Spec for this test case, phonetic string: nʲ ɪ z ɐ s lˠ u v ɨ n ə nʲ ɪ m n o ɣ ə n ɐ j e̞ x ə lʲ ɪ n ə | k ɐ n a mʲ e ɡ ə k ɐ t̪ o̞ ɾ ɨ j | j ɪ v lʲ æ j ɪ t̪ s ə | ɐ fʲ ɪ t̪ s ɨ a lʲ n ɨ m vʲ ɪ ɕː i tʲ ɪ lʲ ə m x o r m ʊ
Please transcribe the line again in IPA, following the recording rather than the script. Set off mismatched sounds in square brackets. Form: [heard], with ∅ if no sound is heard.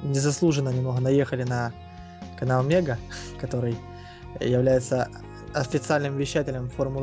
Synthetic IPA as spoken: nʲ ɪ z ɐ s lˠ u [ʐ] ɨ n ə nʲ ɪ m n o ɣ ə n ɐ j e̞ x ə lʲ ɪ n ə | k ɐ n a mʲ e ɡ ə k ɐ t̪ o̞ ɾ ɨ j | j ɪ v lʲ æ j ɪ t̪ s ə | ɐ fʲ ɪ t̪ s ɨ a lʲ n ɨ m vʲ ɪ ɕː [æ] tʲ ɪ lʲ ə m [f] o r m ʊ